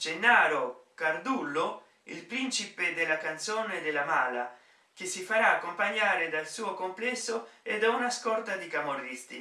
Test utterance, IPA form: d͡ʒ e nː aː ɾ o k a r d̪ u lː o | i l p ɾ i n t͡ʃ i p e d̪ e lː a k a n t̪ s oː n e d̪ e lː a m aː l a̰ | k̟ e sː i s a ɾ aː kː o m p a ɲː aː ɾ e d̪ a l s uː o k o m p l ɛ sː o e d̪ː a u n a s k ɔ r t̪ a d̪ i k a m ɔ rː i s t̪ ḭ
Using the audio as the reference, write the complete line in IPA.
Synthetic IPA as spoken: d͡ʒ e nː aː ɾ o k a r d̪ u lː o | i l p ɾ i n t͡ʃ i p e d̪ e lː a k a n t̪ s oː n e d̪ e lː a m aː l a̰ | k̟ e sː i f a ɾ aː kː o m p a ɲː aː ɾ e d̪ a l s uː o k o m p l ɛ sː o e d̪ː a u n a s k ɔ r t̪ a d̪ i k a m o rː i s t̪ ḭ